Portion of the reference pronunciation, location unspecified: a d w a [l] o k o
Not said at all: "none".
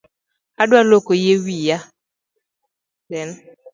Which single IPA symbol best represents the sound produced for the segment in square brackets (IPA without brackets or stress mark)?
l